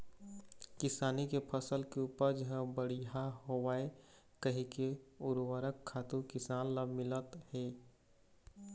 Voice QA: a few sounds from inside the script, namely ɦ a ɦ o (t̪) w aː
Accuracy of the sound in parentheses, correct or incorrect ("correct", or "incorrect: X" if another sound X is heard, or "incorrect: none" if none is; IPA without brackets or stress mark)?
incorrect: none